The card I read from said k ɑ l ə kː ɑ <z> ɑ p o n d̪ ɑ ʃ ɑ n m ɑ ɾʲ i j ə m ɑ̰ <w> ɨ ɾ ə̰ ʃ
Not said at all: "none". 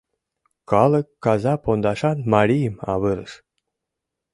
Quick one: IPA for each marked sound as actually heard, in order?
z, β

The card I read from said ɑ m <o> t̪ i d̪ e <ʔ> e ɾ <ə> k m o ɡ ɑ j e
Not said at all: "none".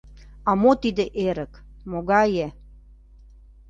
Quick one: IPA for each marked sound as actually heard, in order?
o, ʔ, ə

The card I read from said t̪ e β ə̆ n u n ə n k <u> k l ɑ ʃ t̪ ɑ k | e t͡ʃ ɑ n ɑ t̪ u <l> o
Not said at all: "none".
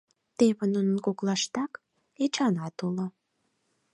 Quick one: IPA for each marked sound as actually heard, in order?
o, l

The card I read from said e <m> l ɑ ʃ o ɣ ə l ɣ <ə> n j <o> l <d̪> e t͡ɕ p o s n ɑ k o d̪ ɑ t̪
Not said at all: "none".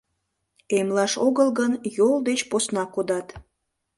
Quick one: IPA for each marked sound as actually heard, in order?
m, ə, o, d̪

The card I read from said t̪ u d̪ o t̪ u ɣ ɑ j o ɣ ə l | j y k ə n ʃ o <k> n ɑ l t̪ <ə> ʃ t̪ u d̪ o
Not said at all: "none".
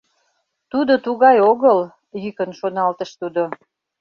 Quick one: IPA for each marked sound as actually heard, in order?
none, ə

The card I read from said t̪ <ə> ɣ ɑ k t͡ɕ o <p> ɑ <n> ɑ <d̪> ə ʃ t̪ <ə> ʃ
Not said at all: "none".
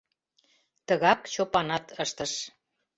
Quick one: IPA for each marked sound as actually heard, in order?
ə, p, n, t̪, ə

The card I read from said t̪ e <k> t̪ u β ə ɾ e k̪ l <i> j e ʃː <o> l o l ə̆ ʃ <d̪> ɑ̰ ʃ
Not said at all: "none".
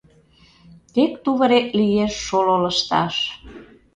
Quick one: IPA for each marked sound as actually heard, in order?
k, i, o, t̪

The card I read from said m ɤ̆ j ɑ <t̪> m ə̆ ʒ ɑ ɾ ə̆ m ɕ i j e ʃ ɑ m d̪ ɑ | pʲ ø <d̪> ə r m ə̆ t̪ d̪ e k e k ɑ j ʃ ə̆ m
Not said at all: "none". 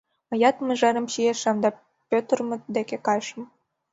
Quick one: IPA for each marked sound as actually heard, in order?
t̪, t̪

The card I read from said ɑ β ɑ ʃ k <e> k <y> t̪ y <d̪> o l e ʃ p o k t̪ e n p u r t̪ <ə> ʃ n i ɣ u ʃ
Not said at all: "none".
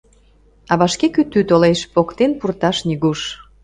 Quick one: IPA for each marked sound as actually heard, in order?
e, y, t̪, ɑ

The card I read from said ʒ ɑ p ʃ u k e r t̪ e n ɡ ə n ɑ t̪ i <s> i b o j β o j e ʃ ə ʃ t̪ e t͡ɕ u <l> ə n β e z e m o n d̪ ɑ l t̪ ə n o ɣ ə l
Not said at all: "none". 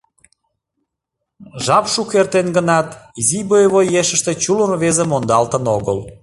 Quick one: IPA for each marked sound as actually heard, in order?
z, l

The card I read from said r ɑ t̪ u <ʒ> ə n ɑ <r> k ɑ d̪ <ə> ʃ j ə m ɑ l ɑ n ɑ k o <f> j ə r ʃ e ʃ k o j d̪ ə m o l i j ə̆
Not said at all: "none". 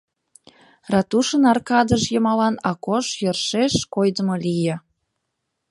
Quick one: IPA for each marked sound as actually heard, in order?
ʃ, r, ə, ʃ

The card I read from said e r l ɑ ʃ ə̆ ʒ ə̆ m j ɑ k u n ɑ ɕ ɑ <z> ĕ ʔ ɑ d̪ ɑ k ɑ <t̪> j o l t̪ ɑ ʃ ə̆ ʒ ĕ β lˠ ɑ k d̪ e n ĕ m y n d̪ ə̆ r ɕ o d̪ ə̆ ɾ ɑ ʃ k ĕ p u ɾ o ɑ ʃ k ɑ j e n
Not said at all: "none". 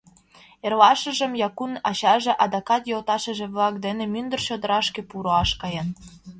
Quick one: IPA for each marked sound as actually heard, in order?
ʒ, t̪

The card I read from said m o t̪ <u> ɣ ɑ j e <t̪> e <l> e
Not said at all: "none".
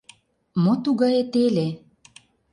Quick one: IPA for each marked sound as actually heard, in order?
u, t̪, l

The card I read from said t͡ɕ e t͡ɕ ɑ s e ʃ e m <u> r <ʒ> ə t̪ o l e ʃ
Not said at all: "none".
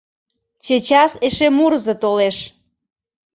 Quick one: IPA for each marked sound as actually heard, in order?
u, z

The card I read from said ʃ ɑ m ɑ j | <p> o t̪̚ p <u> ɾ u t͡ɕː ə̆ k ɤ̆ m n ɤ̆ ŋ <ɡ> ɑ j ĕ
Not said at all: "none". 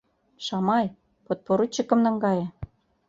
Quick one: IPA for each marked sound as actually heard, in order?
p, o, ɡ

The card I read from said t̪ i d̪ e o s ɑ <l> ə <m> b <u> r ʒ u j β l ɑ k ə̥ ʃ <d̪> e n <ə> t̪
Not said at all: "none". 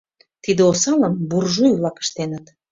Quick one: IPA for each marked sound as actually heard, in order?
l, m, u, t̪, ə

